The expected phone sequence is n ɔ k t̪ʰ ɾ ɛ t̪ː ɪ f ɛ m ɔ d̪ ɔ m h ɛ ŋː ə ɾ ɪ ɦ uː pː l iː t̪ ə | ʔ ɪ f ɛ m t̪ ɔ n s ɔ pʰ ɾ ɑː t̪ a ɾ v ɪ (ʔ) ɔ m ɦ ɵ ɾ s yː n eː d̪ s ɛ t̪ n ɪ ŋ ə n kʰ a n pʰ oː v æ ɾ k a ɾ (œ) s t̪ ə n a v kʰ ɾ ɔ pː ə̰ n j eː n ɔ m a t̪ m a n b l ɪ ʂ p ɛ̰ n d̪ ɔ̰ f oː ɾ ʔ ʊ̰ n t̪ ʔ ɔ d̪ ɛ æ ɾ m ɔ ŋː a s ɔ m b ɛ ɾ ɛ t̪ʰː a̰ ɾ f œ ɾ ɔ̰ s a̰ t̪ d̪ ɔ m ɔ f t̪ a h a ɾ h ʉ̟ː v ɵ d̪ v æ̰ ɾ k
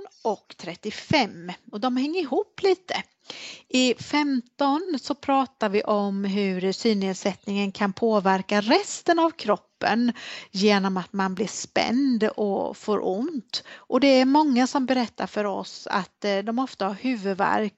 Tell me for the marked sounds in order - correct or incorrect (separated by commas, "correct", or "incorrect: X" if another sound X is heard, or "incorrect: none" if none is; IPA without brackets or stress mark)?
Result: correct, incorrect: ɛ